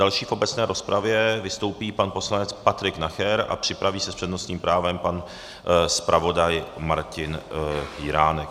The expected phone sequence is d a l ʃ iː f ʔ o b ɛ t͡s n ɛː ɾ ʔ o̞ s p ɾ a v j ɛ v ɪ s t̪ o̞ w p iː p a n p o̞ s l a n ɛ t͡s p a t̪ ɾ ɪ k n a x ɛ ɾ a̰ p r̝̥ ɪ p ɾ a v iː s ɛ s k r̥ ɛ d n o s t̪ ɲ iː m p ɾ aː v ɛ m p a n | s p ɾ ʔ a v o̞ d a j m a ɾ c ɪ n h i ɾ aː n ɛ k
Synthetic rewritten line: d a l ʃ iː f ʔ o b ɛ t͡s n ɛː ɾ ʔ o̞ s p ɾ a v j ɛ v ɪ s t̪ o̞ w p iː p a n p o̞ s l a n ɛ t͡s p a t̪ ɾ ɪ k n a x ɛ ɾ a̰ p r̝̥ ɪ p ɾ a v iː s ɛ s p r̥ ɛ d n o s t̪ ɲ iː m p ɾ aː v ɛ m p a n | s p ɾ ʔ a v o̞ d a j m a ɾ c ɪ n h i ɾ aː n ɛ k

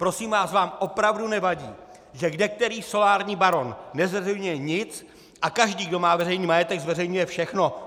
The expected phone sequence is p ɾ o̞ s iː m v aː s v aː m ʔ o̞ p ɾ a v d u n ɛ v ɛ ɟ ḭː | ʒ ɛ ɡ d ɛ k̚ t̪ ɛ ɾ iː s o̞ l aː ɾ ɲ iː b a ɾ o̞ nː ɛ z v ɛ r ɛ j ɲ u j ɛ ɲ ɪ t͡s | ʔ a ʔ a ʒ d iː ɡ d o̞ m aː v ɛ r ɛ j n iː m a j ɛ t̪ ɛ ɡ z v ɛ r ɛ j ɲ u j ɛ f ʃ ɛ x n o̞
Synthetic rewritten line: p ɾ o̞ s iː m v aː s v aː m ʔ o̞ p ɾ a v d u n ɛ v a ɟ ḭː | ʒ ɛ ɡ d ɛ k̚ t̪ ɛ ɾ iː s o̞ l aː ɾ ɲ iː b a ɾ o̞ nː ɛ z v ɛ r ɛ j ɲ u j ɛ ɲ ɪ t͡s | ʔ a k a ʒ d iː ɡ d o̞ m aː v ɛ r ɛ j n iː m a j ɛ t̪ ɛ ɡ z v ɛ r ɛ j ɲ u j ɛ f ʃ ɛ x n o̞

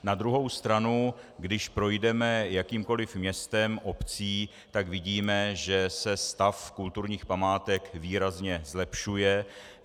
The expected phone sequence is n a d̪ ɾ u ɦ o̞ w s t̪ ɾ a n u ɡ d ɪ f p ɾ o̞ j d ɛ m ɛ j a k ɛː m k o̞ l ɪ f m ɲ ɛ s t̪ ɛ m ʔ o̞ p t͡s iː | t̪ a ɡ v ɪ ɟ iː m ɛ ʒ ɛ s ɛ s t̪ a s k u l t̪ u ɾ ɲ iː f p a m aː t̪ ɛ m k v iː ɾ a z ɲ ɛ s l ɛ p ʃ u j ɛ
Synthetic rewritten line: n a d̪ ɾ u ɦ o̞ w s t̪ ɾ a n u ɡ d ɪ ʃ p ɾ o̞ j d ɛ m ɛ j a k iː m k o̞ l ɪ f m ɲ ɛ s t̪ ɛ m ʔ o̞ p t͡s iː | t̪ a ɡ v ɪ ɟ iː m ɛ ʒ ɛ s ɛ s t̪ a f k u l t̪ u ɾ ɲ iː x p a m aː t̪ ɛ k v iː ɾ a z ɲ ɛ z l ɛ p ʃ u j ɛ

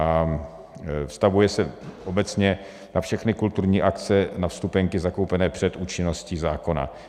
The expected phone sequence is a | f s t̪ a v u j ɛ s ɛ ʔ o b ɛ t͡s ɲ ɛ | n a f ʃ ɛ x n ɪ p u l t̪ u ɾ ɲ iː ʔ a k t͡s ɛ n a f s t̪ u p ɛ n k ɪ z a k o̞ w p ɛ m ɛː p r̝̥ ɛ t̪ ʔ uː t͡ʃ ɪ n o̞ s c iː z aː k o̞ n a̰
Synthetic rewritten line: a | f s t̪ a v u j ɛ s ɛ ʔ o b ɛ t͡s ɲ ɛ | n a f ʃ ɛ x n ɪ k u l t̪ u ɾ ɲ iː ʔ a k t͡s ɛ n a f s t̪ u p ɛ ŋ k ɪ z a k o̞ w p ɛ n ɛː p r̝̥ ɛ t̪ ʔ uː t͡ʃ ɪ n o̞ s c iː z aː k o̞ n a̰

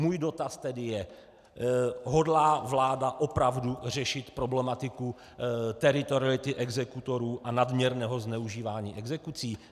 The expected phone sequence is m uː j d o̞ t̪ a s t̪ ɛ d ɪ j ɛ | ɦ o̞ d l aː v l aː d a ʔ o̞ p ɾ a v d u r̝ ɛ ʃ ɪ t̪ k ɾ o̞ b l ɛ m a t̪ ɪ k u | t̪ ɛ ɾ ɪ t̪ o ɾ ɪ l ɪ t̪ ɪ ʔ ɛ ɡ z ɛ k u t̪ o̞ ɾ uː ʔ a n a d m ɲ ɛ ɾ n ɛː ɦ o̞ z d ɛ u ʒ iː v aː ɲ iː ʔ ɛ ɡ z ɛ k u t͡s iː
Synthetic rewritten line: m uː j d o̞ t̪ a s t̪ ɛ d ɪ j ɛ | ɦ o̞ d l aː v l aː d a ʔ o̞ p ɾ a v d u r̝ ɛ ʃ ɪ t̪ p ɾ o̞ b l ɛ m a t̪ ɪ k u | t̪ ɛ ɾ ɪ t̪ o ɾ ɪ l ɪ t̪ ɪ ʔ ɛ ɡ z ɛ k u t̪ o̞ ɾ uː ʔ a n a d m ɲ ɛ ɾ n ɛː ɦ o̞ z n ɛ u ʒ iː v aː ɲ iː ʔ ɛ ɡ z ɛ k u t͡s iː

